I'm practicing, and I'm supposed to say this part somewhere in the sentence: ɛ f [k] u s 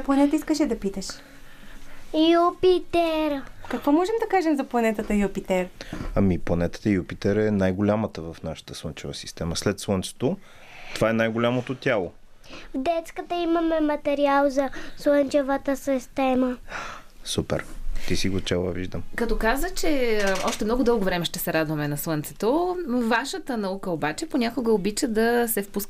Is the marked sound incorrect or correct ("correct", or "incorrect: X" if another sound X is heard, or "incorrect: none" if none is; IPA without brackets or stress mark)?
incorrect: p